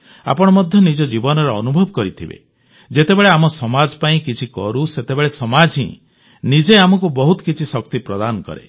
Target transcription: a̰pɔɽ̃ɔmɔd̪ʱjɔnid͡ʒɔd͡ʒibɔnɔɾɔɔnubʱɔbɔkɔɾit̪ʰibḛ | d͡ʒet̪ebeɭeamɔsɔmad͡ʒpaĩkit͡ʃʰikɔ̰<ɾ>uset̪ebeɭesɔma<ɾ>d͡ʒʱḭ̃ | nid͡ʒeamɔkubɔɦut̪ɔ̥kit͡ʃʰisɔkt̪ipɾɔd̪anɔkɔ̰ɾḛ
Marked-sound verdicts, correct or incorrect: correct, incorrect: none

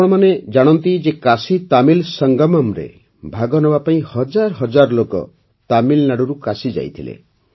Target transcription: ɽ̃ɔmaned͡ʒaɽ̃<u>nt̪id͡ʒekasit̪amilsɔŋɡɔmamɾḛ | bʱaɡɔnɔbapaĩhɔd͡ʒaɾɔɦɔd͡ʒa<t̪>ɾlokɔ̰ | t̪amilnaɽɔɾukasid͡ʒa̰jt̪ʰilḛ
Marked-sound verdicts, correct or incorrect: incorrect: ɔ, incorrect: none

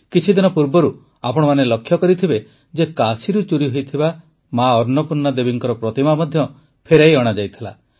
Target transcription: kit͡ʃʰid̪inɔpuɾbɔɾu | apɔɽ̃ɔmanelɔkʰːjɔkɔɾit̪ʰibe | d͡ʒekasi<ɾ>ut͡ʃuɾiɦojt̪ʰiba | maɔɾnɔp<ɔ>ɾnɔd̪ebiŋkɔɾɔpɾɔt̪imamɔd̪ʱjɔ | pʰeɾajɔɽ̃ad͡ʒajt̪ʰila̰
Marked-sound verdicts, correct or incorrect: correct, incorrect: u

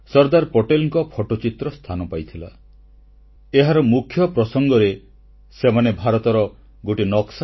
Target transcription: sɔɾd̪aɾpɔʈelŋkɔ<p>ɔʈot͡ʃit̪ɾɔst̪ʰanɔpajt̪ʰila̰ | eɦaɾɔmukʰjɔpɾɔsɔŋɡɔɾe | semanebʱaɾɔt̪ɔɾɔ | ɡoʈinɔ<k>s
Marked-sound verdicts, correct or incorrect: incorrect: pʰ, correct

